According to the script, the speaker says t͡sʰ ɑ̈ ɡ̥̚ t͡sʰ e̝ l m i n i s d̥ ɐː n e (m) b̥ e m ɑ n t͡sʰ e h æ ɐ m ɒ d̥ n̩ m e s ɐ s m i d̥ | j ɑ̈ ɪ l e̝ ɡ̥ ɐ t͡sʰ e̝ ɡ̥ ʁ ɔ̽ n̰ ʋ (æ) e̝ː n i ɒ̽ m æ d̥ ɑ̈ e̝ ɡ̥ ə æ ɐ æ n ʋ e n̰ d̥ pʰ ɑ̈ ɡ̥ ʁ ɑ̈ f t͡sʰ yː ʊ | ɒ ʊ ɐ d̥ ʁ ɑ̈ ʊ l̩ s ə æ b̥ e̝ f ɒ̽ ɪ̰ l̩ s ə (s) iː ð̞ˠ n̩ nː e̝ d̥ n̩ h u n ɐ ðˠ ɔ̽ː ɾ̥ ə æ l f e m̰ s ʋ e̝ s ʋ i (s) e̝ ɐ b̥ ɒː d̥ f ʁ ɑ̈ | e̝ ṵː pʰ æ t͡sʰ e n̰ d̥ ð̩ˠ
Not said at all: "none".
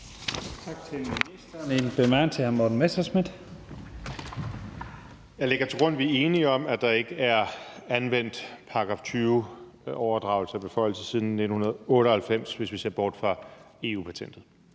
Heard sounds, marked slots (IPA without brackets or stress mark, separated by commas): n, i, s, s